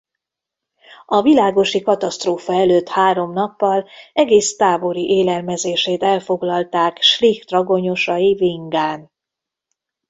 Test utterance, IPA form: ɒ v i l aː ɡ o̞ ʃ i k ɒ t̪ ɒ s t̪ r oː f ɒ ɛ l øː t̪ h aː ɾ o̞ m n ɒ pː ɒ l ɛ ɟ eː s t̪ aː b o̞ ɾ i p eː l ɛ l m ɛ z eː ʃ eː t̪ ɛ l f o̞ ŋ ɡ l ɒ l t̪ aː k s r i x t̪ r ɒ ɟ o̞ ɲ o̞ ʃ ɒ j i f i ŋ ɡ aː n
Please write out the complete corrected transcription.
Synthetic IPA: ɒ v i l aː ɡ o̞ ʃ i k ɒ t̪ ɒ s t̪ r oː f ɒ ɛ l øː t̪ h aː ɾ o̞ m n ɒ pː ɒ l ɛ ɡ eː s t̪ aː b o̞ ɾ i ʔ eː l ɛ l m ɛ z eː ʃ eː t̪ ɛ l f o̞ ɡ l ɒ l t̪ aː k ʃ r i x t̪ r ɒ ɡ o̞ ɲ o̞ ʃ ɒ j i v i ŋ ɡ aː n